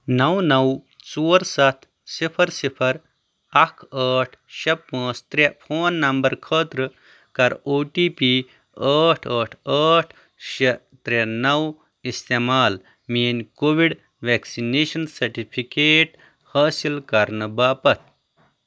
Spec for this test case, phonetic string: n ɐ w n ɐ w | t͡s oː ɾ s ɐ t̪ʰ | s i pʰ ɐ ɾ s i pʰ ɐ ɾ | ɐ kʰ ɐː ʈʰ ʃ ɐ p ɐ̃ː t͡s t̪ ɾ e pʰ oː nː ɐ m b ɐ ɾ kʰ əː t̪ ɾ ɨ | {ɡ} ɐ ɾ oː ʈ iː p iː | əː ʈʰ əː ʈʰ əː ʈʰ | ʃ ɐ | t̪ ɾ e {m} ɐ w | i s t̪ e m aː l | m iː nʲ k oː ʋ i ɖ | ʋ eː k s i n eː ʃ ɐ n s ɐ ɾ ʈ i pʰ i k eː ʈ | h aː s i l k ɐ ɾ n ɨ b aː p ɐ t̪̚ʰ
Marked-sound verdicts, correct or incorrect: incorrect: k, incorrect: n

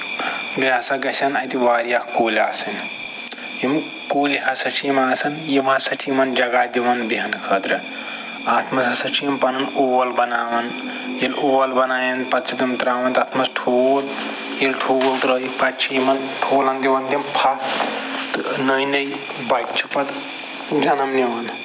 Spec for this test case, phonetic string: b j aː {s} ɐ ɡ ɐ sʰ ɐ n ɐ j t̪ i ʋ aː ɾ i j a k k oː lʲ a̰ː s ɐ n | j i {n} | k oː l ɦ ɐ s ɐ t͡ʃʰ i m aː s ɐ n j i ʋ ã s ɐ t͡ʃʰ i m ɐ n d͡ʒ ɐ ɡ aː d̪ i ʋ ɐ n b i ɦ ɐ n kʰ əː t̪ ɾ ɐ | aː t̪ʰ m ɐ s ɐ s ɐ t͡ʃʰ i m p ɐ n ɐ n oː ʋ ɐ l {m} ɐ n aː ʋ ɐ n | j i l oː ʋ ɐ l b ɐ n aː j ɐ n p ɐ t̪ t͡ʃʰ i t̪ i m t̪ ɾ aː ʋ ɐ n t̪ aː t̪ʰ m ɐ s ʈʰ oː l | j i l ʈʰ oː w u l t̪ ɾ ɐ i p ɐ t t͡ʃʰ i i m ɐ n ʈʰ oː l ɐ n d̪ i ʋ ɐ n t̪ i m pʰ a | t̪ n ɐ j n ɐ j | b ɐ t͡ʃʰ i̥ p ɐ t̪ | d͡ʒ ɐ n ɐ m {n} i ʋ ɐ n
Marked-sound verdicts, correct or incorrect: correct, incorrect: m, incorrect: b, correct

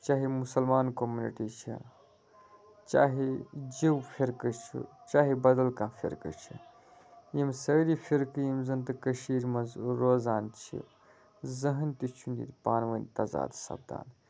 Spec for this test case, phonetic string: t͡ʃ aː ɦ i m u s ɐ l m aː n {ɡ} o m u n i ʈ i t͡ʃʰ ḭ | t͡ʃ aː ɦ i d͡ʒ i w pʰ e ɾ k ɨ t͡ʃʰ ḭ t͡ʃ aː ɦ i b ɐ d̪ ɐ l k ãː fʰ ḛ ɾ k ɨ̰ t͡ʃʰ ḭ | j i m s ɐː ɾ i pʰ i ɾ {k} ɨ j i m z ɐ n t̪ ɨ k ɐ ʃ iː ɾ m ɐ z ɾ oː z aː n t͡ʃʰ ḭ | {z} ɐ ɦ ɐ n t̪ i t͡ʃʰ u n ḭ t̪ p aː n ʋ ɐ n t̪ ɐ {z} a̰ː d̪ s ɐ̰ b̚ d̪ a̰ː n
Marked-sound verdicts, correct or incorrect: incorrect: k, correct, correct, correct

